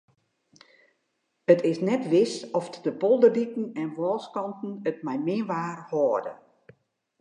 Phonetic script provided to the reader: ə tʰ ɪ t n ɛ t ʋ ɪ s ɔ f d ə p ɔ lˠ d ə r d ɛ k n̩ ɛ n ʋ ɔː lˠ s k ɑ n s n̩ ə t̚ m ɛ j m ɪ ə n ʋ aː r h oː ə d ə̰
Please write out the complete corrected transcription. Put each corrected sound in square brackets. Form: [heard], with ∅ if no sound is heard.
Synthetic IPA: ə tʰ ɪ [s] n ɛ t ʋ ɪ s ɔ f d ə p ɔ lˠ d ə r d [i] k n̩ ɛ n ʋ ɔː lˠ s k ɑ n [t] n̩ ə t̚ m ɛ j m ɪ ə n ʋ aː r h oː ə d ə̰